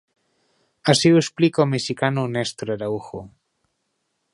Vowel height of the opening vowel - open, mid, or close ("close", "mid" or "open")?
open